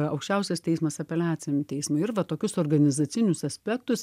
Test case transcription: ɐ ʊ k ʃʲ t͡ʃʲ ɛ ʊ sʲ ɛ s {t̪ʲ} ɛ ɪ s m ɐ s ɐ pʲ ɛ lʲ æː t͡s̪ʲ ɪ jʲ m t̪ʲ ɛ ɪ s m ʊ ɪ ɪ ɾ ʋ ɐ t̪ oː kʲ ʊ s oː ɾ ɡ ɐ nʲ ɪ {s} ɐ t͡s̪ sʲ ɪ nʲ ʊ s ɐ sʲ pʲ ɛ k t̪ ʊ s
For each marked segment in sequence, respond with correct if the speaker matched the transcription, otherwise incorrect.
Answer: correct, incorrect

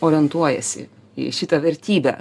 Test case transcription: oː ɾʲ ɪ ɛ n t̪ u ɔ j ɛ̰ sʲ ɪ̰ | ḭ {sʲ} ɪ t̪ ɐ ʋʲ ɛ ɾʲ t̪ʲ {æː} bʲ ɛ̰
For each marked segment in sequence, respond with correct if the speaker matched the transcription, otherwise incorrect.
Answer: incorrect, incorrect

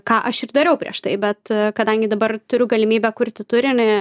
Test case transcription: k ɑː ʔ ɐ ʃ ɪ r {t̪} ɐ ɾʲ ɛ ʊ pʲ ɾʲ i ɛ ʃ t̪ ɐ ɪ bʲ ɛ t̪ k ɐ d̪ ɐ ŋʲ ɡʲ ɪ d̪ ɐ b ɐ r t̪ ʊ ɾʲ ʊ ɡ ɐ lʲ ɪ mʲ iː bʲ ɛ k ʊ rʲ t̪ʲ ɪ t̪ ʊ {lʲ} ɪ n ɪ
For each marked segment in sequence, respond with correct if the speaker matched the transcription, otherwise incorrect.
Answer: incorrect, incorrect

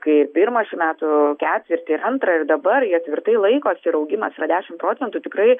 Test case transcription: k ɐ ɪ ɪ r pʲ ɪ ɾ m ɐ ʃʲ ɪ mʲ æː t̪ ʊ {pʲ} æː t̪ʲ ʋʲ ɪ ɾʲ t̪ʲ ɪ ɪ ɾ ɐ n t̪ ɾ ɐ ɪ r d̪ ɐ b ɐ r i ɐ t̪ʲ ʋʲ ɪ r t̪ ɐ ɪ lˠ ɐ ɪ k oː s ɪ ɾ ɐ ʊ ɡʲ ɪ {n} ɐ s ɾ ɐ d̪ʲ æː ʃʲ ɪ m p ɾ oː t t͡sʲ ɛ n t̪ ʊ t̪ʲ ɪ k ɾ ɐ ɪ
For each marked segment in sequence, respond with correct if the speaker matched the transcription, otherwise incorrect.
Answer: incorrect, incorrect

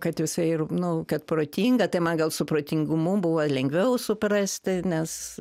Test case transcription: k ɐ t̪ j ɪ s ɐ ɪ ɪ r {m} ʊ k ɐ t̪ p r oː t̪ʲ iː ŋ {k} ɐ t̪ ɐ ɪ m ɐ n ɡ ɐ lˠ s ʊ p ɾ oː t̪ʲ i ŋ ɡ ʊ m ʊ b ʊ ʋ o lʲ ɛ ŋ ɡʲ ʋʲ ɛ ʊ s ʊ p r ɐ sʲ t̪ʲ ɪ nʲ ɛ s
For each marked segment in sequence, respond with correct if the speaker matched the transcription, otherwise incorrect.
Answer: incorrect, incorrect

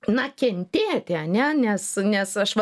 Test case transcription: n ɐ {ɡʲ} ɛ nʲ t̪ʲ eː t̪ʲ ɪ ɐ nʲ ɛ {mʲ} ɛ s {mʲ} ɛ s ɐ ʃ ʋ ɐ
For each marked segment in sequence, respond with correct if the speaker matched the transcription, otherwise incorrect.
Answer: incorrect, incorrect, incorrect

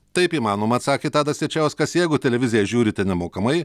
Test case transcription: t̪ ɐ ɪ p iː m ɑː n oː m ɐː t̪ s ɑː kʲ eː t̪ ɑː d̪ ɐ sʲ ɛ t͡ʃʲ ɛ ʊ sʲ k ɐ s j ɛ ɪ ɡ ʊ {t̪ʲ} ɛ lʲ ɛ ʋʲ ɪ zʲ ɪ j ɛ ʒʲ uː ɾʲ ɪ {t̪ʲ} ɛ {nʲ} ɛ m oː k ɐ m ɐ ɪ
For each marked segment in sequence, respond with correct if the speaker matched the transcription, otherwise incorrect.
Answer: correct, correct, correct

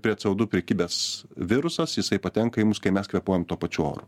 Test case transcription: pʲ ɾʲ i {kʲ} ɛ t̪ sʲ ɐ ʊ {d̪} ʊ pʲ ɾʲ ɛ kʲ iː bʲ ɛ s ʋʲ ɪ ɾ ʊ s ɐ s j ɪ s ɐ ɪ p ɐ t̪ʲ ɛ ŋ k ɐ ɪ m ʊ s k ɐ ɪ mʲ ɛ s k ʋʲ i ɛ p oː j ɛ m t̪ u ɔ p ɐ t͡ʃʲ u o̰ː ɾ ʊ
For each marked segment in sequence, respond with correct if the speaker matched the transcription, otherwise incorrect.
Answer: incorrect, correct

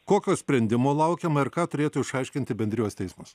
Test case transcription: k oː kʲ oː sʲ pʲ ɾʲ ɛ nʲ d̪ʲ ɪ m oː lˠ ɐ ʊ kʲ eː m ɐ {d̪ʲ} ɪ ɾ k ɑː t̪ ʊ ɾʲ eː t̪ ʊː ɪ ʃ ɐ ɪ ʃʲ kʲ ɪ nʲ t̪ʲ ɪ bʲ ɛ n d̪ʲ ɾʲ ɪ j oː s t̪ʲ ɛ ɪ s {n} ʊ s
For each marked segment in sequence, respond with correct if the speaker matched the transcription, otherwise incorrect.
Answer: incorrect, incorrect

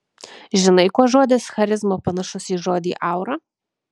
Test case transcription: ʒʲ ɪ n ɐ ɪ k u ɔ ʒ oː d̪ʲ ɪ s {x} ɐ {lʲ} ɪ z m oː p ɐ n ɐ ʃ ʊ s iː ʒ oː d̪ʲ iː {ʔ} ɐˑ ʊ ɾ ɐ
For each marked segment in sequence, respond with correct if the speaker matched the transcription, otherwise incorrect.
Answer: correct, incorrect, correct

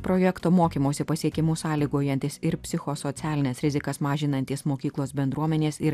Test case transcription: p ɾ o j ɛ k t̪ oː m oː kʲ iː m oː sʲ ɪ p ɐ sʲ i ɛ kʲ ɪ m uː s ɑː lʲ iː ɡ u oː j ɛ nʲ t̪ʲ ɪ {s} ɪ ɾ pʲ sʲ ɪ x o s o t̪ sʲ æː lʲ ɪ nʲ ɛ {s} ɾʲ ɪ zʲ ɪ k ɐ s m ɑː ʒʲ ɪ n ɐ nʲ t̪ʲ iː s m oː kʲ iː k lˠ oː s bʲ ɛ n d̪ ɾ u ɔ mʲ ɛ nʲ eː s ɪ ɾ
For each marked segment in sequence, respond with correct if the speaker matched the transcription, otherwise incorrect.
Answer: correct, correct

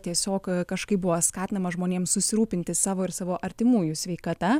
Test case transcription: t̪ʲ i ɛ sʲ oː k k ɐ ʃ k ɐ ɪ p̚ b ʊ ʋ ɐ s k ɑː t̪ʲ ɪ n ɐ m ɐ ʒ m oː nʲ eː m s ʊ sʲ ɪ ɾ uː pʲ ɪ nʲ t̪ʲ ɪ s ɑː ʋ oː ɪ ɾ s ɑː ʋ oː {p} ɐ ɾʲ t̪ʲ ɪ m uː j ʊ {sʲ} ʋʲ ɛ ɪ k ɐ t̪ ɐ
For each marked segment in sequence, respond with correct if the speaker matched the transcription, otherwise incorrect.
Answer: incorrect, correct

